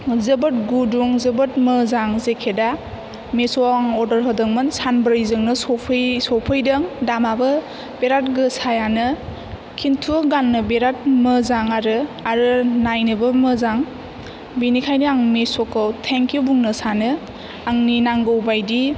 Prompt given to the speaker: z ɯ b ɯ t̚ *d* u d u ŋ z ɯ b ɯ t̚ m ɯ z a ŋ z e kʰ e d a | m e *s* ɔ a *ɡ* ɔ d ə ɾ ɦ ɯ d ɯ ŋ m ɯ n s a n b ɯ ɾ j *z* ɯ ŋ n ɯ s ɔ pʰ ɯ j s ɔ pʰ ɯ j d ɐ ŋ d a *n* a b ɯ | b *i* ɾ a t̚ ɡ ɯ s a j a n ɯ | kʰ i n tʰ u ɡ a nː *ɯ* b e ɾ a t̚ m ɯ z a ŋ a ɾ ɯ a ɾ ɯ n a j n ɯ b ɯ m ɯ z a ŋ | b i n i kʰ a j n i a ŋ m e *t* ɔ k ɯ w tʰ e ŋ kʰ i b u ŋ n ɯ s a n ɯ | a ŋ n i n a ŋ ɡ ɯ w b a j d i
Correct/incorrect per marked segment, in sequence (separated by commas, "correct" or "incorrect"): incorrect, correct, incorrect, correct, incorrect, incorrect, correct, incorrect